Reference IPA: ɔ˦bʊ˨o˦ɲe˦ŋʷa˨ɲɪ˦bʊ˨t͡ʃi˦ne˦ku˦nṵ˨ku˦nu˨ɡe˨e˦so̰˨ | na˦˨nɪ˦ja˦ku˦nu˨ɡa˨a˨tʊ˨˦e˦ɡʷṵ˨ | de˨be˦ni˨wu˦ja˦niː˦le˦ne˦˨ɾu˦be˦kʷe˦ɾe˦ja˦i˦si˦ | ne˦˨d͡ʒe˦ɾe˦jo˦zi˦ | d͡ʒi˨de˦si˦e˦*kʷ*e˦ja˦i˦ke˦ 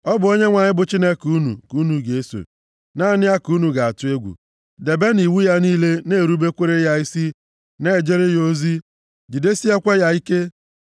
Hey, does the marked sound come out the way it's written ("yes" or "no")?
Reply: yes